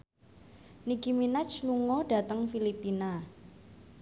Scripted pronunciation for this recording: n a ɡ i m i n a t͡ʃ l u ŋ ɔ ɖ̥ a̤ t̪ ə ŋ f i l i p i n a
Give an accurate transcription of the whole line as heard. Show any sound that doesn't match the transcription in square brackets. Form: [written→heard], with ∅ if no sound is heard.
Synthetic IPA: n [a→i] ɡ i m i n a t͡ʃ l u ŋ ɔ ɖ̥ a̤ t̪ ə ŋ f i l i p i n a